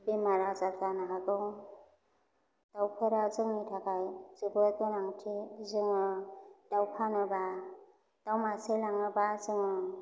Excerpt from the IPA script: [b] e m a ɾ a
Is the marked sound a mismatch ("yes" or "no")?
no